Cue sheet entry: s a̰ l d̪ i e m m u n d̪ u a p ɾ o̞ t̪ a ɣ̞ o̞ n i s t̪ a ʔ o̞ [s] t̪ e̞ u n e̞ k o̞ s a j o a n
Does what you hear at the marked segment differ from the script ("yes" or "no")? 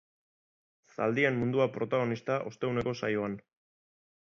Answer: no